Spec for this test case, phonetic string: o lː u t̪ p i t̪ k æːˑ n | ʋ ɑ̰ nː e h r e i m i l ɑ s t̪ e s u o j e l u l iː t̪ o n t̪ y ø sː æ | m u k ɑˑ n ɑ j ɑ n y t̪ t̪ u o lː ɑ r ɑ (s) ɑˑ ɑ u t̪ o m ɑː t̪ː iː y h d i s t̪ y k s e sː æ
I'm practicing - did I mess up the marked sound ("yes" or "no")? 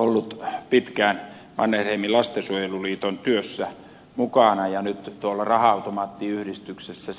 yes